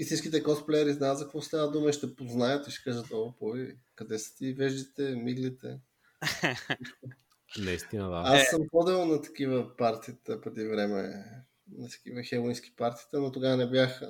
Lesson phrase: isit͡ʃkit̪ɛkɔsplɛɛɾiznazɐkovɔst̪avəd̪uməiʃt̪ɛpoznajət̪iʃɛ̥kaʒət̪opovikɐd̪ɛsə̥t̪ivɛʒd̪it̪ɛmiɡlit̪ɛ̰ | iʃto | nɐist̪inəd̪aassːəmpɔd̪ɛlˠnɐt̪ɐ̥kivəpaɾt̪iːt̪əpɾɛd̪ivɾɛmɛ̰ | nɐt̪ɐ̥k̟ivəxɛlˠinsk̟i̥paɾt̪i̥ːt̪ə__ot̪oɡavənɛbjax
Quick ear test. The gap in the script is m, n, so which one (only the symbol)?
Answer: n